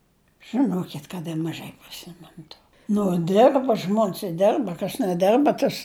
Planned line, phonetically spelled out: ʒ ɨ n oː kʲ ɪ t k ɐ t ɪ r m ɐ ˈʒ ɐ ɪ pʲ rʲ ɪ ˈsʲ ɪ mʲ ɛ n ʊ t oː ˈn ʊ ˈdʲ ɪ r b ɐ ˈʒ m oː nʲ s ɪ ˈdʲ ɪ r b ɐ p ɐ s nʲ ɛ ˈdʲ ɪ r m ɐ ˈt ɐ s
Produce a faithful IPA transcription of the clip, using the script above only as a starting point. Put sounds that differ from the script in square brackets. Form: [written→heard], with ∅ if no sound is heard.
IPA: ʒ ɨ n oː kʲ ɪ t k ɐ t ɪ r m ɐ ˈʒ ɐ ɪ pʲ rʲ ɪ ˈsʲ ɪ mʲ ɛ n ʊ t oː ˈn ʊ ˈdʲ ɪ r b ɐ ˈʒ m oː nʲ s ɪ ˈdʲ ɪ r b ɐ [p→k] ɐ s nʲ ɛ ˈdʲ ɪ r [m→b] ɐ ˈt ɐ s

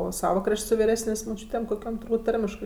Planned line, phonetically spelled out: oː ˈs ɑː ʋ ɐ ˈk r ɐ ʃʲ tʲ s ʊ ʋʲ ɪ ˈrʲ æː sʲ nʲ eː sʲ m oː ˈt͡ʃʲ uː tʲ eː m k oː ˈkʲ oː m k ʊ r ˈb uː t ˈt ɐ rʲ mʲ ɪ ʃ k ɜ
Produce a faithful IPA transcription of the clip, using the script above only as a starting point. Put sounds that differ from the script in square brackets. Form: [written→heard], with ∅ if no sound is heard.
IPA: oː ˈs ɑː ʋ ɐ ˈk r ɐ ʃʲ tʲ s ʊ ʋʲ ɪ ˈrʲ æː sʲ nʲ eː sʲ m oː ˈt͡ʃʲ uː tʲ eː m k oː ˈkʲ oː m [k→t] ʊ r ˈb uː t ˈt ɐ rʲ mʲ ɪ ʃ k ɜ

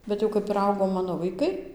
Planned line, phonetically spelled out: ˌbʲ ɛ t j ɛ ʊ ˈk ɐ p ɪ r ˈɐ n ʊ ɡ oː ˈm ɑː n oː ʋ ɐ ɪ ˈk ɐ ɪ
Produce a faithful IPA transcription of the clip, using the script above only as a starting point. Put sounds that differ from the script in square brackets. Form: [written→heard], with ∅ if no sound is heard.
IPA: ˌbʲ ɛ t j ɛ ʊ ˈk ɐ p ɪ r ˈɐ [n→∅] ʊ ɡ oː ˈm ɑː n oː ʋ ɐ ɪ ˈk ɐ ɪ

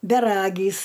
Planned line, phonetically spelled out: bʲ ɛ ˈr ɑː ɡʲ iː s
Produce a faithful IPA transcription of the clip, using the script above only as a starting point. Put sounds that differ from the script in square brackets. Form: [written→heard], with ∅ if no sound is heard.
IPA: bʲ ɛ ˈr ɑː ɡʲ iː s

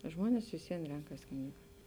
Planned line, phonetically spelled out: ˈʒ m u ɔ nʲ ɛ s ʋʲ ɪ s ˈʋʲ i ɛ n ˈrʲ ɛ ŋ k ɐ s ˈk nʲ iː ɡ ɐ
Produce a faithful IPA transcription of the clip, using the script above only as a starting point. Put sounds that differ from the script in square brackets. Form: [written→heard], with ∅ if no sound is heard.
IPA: ˈʒ m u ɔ nʲ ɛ s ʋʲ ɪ s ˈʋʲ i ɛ n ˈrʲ ɛ ŋ k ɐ s ˈk nʲ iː ɡ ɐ

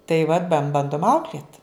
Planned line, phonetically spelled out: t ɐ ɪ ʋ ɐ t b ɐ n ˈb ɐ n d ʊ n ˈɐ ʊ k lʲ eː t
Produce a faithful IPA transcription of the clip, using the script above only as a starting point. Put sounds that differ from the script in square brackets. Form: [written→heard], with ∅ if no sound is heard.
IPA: t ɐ ɪ ʋ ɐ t b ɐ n ˈb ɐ n d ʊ [n→m] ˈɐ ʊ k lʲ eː t

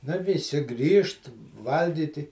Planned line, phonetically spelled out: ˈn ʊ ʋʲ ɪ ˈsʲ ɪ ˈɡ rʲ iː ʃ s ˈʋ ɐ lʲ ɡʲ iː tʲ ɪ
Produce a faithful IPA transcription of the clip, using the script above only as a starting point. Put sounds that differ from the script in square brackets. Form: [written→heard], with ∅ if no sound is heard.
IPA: ˈn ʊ ʋʲ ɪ ˈsʲ ɪ ˈɡ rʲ iː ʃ [s→t] ˈʋ ɐ lʲ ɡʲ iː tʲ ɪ

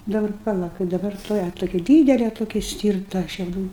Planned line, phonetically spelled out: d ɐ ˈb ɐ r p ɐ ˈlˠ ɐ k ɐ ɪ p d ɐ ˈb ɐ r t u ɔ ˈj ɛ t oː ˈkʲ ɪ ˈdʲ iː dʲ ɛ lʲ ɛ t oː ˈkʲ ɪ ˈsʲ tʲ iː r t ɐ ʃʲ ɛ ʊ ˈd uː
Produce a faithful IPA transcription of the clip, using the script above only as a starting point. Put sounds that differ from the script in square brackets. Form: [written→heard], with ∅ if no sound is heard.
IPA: d ɐ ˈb ɐ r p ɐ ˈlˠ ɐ k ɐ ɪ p d ɐ ˈb ɐ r t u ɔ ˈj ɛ t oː ˈkʲ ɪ ˈdʲ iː dʲ ɛ lʲ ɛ t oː ˈkʲ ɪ ˈsʲ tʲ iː r t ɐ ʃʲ ɛ ʊ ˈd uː

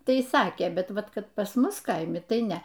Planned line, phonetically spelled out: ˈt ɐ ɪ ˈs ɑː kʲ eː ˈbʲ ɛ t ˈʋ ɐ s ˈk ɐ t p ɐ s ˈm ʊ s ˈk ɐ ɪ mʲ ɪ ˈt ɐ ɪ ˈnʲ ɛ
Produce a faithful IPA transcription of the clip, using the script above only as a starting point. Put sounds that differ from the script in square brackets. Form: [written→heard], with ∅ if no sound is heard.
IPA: ˈt ɐ ɪ ˈs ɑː kʲ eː ˈbʲ ɛ t ˈʋ ɐ [s→t] ˈk ɐ t p ɐ s ˈm ʊ s ˈk ɐ ɪ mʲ ɪ ˈt ɐ ɪ ˈnʲ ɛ

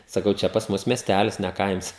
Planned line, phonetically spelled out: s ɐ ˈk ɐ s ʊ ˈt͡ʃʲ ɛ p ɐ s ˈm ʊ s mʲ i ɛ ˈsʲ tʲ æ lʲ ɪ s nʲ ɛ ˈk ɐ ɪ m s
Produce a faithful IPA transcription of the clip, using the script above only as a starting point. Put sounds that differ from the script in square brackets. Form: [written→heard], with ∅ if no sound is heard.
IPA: s ɐ ˈk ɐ [s→∅] ʊ ˈt͡ʃʲ ɛ p ɐ s ˈm ʊ s mʲ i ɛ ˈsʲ tʲ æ lʲ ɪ s nʲ ɛ ˈk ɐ ɪ m s

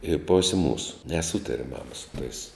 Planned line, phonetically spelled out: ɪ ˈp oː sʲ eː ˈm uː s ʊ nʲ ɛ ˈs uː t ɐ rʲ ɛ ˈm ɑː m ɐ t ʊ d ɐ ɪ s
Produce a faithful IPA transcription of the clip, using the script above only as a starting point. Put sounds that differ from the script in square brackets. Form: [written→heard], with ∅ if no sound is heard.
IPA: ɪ ˈp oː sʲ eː ˈm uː s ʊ nʲ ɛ ˈs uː t ɐ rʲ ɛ ˈm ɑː m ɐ [t→s] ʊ [d→t] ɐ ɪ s

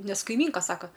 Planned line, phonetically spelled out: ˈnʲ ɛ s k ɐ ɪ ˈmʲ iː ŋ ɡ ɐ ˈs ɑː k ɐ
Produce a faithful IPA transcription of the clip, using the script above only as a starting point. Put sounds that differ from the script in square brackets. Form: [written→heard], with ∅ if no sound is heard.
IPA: ˈnʲ ɛ s k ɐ ɪ ˈmʲ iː ŋ [ɡ→k] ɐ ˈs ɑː k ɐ

